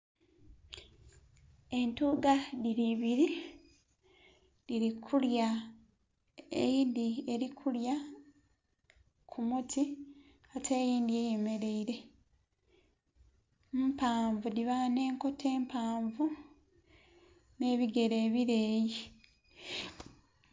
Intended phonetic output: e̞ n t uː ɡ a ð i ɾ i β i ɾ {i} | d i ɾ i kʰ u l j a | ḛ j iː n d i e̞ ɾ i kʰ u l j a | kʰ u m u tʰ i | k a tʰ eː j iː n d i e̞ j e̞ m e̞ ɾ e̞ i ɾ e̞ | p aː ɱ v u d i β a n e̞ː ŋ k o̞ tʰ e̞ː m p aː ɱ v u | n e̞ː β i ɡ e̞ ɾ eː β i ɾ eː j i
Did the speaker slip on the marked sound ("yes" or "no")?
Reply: no